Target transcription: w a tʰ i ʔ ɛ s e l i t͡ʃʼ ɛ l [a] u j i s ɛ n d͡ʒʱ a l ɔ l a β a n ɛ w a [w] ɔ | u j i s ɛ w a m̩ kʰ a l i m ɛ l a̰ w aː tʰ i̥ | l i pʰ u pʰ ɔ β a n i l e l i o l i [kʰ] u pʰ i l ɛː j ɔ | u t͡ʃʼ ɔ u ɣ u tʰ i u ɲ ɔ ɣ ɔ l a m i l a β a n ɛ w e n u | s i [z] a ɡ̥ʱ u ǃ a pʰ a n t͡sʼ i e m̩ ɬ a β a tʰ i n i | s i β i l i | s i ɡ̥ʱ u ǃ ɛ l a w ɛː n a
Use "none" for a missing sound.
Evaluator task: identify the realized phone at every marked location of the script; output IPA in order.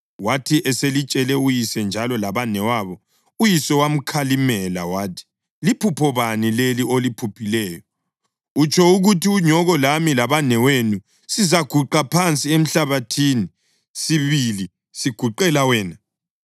ɛ, β, pʰ, z

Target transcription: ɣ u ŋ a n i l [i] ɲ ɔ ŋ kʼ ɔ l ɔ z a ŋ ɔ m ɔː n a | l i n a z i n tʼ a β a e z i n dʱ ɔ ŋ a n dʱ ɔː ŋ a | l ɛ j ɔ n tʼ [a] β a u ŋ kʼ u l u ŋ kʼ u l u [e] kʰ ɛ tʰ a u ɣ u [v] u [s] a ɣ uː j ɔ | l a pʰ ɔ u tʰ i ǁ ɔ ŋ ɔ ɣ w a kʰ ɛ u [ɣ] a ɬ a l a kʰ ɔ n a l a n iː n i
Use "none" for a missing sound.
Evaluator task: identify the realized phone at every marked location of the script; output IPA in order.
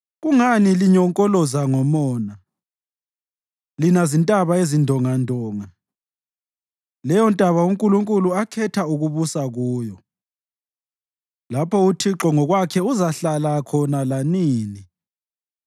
i, a, a, β, s, z

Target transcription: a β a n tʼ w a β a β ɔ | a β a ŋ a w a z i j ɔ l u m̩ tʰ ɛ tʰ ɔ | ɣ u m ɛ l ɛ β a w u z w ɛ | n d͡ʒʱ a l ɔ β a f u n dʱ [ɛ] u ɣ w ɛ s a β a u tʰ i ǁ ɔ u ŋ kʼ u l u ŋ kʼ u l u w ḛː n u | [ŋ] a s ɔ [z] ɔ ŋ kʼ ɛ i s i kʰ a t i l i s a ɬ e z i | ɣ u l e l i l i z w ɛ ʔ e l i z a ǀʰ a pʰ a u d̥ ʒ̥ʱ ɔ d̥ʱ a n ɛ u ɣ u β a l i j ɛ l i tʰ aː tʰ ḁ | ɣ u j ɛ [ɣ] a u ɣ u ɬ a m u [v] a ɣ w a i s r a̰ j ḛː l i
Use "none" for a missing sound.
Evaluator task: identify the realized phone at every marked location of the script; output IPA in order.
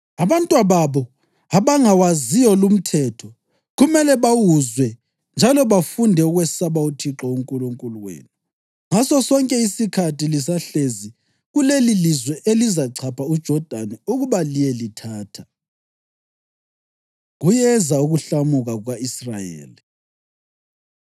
ɛ, ŋ, s, z, ɣ

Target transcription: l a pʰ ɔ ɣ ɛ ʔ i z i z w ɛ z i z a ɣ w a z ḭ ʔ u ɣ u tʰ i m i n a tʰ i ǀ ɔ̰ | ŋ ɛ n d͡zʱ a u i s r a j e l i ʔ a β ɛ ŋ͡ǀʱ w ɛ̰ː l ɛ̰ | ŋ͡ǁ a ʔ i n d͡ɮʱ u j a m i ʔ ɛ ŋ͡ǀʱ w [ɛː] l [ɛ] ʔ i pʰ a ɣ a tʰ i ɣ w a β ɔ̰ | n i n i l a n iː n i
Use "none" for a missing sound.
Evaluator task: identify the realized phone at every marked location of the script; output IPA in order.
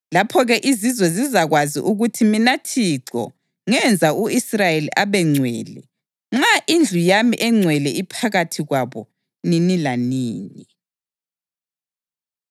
ɛ, ɛ

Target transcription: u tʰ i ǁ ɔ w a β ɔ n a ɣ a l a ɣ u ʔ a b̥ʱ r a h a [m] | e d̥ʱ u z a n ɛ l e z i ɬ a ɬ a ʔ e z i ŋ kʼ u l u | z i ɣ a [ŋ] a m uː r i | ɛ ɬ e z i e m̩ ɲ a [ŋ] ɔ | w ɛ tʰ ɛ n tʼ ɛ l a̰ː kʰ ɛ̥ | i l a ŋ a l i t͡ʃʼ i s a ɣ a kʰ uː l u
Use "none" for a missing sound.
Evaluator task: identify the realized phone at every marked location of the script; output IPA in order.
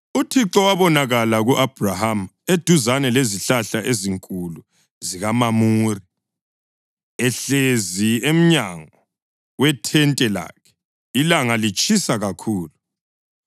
m, m, ŋ

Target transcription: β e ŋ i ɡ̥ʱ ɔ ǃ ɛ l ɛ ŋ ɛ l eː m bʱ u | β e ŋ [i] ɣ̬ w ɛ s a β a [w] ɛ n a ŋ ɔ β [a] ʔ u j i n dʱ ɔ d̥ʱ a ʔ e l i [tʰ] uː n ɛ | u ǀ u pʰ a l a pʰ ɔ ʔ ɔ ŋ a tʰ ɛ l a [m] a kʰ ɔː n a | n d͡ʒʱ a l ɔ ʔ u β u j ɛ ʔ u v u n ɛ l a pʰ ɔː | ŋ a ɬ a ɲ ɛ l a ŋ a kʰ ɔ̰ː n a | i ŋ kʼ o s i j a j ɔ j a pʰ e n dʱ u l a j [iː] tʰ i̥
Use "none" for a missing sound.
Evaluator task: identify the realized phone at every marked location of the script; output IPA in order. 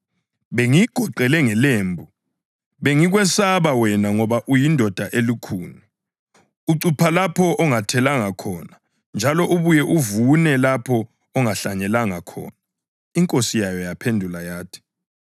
i, w, a, kʰ, ŋ, aː

